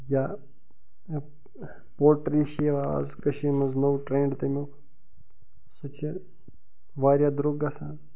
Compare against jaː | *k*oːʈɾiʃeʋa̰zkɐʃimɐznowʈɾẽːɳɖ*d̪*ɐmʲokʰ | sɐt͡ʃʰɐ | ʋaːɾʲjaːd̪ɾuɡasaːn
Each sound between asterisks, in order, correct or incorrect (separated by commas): incorrect, incorrect